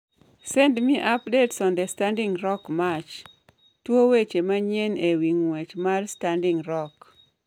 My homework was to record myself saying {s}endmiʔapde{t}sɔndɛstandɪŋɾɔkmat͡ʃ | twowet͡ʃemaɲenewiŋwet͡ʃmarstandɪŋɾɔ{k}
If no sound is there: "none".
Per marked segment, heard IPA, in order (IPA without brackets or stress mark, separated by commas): s, t, k